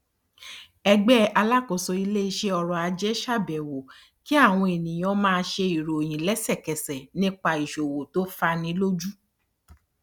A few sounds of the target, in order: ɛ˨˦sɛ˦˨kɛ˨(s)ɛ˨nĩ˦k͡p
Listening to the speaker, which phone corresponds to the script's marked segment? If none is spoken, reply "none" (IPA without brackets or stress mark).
s